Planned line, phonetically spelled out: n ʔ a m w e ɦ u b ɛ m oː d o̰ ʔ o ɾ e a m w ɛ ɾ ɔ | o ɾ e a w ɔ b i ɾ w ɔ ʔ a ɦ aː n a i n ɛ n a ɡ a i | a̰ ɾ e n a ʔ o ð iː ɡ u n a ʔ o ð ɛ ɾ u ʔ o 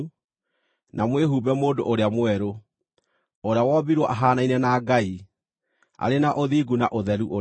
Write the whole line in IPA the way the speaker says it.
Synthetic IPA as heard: n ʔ a m w e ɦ u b ɛ m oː d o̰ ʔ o ɾ e a m w ɛ ɾ o | o ɾ e a w ɔ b i ɾ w ɔ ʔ a ɦ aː n a i n ɛ n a ɡ a i | a̰ ɾ e n a ʔ o ð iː ɡ u n a ʔ o ð ɛ ɾ u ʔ o